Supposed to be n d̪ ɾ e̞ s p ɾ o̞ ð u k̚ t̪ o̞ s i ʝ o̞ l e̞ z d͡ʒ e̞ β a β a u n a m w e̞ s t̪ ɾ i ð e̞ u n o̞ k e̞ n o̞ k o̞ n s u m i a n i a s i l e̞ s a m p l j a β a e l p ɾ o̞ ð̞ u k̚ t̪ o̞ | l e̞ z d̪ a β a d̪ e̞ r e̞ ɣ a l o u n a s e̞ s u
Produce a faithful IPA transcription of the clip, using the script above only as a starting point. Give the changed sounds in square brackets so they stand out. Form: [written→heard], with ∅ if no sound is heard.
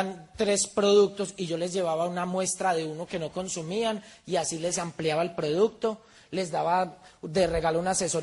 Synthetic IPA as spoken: n [d̪→t̪] ɾ e̞ s p ɾ o̞ ð u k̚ t̪ o̞ s i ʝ o̞ l e̞ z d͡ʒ e̞ β a β a u n a m w e̞ s t̪ ɾ [i→a] ð e̞ u n o̞ k e̞ n o̞ k o̞ n s u m i a n i a s i l e̞ s a m p l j a β a e l p ɾ o̞ ð̞ u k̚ t̪ o̞ | l e̞ z d̪ a β a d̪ e̞ r e̞ ɣ a l o u n a s e̞ s [u→o]